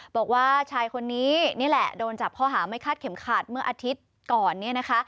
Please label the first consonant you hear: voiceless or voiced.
voiced